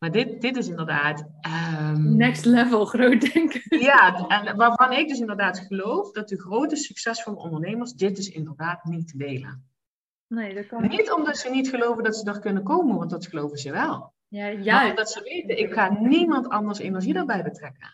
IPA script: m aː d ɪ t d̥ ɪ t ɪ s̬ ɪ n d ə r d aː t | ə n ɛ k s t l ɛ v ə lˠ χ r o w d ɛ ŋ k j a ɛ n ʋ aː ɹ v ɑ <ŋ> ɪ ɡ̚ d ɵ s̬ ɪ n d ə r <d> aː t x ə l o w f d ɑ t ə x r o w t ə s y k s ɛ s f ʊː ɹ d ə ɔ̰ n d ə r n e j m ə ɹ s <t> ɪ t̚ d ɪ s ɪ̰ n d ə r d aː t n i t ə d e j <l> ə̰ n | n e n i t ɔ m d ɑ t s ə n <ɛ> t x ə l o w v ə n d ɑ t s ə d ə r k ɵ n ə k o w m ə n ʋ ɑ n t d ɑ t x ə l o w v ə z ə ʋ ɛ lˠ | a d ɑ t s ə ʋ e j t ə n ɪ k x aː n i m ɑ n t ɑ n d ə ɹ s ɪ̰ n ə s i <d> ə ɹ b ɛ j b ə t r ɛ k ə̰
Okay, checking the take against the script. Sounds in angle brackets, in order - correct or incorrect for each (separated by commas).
incorrect, correct, incorrect, correct, incorrect, correct